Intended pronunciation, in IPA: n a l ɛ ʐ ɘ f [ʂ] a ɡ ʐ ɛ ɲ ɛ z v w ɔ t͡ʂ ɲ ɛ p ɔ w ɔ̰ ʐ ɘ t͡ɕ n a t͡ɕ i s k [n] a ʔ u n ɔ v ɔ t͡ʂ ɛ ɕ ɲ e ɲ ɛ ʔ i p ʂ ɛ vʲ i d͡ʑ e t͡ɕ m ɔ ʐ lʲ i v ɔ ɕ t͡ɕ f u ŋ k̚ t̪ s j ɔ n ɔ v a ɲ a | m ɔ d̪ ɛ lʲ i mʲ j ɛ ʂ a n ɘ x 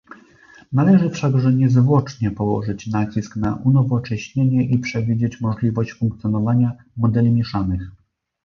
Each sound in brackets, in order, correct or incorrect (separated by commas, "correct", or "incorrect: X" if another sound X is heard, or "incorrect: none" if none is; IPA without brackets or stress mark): correct, correct